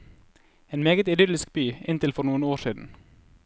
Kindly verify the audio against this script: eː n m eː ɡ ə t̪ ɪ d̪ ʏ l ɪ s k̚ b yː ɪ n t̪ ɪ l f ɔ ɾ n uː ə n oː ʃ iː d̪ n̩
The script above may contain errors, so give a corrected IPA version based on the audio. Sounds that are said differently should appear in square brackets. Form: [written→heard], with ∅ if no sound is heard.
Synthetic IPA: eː n m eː ɡ ə t̪ ɪ d̪ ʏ l ɪ s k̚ b yː ɪ n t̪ ɪ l f ɔ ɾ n uː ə n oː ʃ iː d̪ n̩